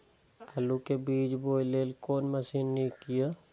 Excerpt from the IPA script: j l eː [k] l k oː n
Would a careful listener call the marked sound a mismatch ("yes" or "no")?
yes